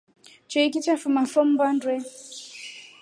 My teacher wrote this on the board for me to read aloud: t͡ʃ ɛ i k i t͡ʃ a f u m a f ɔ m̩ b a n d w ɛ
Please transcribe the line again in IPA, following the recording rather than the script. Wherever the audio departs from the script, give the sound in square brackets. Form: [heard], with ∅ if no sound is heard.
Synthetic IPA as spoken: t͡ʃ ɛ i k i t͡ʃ a f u m a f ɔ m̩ b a n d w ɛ